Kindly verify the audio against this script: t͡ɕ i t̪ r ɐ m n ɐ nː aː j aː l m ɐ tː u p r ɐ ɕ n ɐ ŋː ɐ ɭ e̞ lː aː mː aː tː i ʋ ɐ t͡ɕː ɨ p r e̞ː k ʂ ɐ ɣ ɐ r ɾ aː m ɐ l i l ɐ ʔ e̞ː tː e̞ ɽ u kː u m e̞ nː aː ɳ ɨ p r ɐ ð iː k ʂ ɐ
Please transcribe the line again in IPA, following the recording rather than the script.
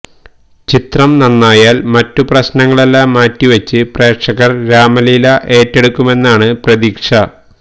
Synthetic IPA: t͡ɕ i t̪ r ɐ m n ɐ nː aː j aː l m ɐ tː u p r ɐ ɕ n ɐ ŋː ɐ ɭ e̞ lː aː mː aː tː i ʋ ɐ t͡ɕː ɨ p r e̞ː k ʂ ɐ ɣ ɐ r ɾ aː m ɐ l i l ɐ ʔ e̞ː tː e̞ ɽ u kː u m e̞ nː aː ɳ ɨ p r ɐ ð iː k ʂ ɐ

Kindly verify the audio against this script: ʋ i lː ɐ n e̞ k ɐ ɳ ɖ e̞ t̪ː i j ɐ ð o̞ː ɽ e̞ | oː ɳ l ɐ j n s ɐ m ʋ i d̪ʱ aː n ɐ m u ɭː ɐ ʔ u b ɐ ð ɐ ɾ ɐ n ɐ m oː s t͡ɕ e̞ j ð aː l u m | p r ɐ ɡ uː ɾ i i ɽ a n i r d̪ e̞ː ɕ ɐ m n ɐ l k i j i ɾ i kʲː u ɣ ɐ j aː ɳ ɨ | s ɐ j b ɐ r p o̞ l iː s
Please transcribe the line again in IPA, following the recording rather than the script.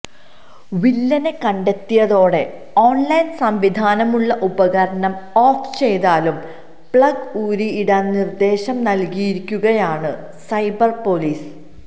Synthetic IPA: ʋ i lː ɐ n e̞ k ɐ ɳ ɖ e̞ t̪ː i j ɐ ð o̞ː ɽ e̞ | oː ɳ l ɐ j n s ɐ m ʋ i d̪ʱ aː n ɐ m u ɭː ɐ ʔ u b ɐ ɣ ɐ ɾ ɐ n ɐ m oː f t͡ɕ e̞ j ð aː l u m | p ɭ ɐ ɡ uː ɾ i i ɽ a n i r d̪ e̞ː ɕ ɐ m n ɐ l k i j i ɾ i kʲː u ɣ ɐ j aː ɳ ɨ | s ɐ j b ɐ r p o̞ l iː s

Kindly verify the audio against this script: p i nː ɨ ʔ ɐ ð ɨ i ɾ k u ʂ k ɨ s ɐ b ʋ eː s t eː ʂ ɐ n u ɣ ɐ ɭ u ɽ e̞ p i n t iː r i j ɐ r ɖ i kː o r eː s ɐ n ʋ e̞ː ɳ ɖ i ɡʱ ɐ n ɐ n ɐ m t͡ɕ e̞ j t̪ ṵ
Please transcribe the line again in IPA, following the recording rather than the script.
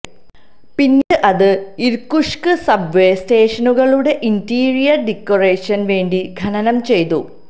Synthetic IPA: p i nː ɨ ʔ ɐ ð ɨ i ɾ k u ʂ k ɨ s ɐ b ʋ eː s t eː ʂ ɐ n u ɣ ɐ ɭ u ɽ e̞ ʔ i n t iː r i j ɐ r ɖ i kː o r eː ʂ ɐ n ʋ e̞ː ɳ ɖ i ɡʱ ɐ n ɐ n ɐ m t͡ɕ e̞ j t̪ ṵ

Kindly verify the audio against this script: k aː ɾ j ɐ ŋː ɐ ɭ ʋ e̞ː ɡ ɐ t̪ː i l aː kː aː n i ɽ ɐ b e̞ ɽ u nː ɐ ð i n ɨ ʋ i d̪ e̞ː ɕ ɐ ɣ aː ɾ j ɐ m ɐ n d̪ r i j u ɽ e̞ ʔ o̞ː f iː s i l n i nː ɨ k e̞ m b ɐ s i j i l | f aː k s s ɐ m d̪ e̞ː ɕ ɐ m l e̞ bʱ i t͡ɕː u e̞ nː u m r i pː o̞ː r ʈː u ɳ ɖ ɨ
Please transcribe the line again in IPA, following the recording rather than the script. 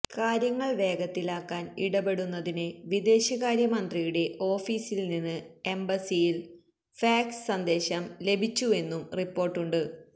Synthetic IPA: k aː ɾ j ɐ ŋː ɐ ɭ ʋ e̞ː ɡ ɐ t̪ː i l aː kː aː n i ɽ ɐ b e̞ ɽ u nː ɐ ð i n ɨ ʋ i d̪ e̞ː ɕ ɐ ɣ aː ɾ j ɐ m ɐ n d̪ r i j u ɽ e̞ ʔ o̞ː f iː s i l n i nː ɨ e̞ m b ɐ s i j i l | f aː k s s ɐ n d̪ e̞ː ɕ ɐ m l e̞ bʱ i t͡ɕː u e̞ nː u m r i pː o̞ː r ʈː u ɳ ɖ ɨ

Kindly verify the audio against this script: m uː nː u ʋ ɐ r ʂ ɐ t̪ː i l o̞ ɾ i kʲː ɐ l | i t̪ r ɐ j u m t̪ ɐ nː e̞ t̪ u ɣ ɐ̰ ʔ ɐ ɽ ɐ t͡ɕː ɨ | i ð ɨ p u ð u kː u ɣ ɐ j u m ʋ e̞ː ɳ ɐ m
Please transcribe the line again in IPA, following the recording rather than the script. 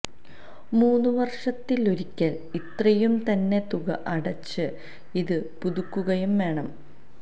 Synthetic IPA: m uː nː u ʋ ɐ r ʂ ɐ t̪ː i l o̞ ɾ i kʲː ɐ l | i t̪ r ɐ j u m t̪ ɐ nː e̞ t̪ u ɣ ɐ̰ ʔ ɐ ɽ ɐ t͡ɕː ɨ | i ð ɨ p u ð u kː u ɣ ɐ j u m ʋ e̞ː ɳ ɐ m

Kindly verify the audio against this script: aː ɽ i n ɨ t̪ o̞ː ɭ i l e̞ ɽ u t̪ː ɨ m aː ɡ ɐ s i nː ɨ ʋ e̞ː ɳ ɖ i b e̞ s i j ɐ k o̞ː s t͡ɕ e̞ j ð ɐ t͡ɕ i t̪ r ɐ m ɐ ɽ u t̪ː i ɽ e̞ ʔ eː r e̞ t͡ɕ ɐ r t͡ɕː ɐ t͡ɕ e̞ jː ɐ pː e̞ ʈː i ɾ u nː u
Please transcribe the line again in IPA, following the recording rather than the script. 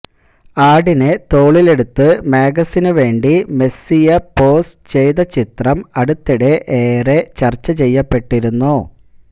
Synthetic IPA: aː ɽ i n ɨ t̪ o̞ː ɭ i l e̞ ɽ u t̪ː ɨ m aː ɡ ɐ s i n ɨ ʋ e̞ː ɳ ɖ i m e̞ s i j ɐ p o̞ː s t͡ɕ e̞ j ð ɐ t͡ɕ i t̪ r ɐ m ɐ ɽ u t̪ː i ɽ e̞ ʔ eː r e̞ t͡ɕ ɐ r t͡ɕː ɐ t͡ɕ e̞ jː ɐ pː e̞ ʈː i ɾ u nː u

